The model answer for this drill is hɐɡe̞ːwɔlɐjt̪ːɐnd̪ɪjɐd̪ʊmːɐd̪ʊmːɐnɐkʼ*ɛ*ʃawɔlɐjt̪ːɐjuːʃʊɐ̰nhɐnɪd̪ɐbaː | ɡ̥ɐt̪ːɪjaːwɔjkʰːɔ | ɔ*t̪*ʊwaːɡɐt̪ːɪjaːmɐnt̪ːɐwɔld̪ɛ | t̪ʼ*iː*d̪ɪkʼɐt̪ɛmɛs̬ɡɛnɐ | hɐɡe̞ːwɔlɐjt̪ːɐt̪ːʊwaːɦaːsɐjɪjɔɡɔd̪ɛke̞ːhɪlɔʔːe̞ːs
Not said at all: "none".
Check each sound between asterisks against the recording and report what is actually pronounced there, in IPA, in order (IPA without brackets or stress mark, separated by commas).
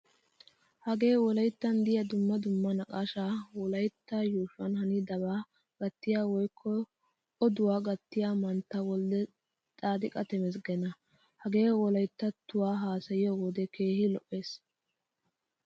a, d̪, aː